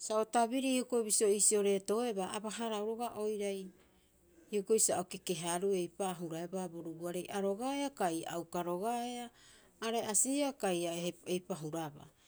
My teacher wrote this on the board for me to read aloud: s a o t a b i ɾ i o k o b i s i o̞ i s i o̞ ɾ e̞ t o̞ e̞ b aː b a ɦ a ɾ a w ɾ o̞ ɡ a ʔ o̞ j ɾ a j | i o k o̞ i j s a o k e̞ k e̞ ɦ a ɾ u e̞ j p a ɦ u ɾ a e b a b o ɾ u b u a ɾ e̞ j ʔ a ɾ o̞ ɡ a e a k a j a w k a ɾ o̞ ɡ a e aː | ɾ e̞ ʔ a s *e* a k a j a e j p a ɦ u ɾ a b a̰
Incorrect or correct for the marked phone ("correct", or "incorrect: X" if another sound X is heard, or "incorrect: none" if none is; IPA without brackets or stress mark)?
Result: incorrect: i